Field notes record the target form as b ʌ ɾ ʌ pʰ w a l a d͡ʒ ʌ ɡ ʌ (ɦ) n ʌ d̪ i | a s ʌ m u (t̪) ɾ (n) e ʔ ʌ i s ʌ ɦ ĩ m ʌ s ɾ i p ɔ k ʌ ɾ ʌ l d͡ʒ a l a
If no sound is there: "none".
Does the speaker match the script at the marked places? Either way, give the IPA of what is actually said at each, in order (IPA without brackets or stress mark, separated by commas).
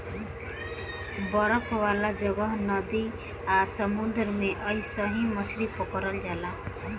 ɦ, d̪, m